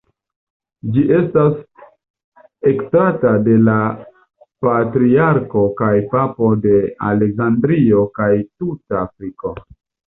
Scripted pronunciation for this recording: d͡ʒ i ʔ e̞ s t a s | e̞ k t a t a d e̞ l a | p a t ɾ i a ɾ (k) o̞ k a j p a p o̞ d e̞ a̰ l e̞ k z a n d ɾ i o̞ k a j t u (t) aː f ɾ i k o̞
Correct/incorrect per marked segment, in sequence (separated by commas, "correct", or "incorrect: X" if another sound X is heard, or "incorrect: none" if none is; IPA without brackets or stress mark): correct, correct